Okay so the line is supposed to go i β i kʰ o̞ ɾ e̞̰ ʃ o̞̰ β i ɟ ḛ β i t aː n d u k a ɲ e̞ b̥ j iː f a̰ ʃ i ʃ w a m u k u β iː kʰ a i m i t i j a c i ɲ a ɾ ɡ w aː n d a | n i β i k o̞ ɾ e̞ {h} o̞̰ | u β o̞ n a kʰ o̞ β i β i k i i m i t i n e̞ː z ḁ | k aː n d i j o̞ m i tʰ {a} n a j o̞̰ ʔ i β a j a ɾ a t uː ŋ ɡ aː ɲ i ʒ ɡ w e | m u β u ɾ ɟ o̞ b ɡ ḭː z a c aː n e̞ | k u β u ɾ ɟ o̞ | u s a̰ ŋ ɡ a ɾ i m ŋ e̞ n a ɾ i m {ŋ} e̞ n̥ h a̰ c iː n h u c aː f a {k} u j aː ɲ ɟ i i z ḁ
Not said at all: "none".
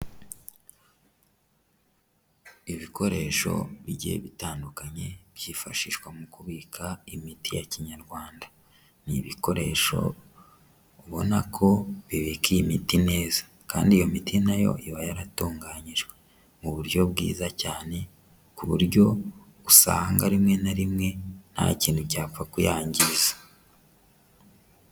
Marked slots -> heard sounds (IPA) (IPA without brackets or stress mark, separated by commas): ʃ, i, ŋ, k